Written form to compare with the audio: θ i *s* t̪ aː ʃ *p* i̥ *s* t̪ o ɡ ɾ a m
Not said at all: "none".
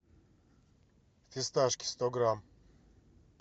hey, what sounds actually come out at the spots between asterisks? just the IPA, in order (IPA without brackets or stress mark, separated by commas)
s, k, s